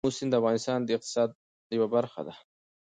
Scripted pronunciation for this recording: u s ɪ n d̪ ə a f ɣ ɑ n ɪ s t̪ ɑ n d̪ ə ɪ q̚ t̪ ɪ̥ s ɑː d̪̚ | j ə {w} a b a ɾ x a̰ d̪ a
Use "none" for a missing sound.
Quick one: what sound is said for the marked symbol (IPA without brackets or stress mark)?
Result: w